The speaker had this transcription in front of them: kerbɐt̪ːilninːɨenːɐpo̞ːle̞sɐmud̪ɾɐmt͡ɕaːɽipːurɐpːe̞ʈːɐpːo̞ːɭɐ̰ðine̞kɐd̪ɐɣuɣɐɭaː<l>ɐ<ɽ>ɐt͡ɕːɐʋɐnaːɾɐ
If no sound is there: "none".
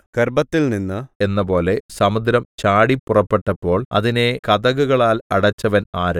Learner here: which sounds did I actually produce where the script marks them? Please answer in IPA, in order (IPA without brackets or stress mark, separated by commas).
l, ɽ